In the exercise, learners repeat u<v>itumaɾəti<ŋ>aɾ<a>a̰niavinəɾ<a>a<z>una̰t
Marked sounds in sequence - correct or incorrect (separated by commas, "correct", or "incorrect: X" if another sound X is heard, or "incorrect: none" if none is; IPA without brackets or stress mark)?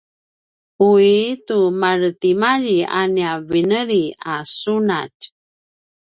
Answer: incorrect: none, incorrect: m, incorrect: i, incorrect: i, incorrect: s